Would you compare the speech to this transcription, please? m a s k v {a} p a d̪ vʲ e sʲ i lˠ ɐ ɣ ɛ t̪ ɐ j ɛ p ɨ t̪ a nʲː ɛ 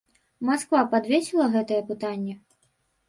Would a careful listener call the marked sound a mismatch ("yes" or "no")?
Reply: no